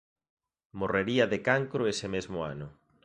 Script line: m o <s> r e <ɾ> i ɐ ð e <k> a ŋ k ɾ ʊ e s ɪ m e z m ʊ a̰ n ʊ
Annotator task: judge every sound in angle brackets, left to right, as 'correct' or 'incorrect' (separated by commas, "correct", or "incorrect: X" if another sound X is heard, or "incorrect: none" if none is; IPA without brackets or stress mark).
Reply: incorrect: none, correct, correct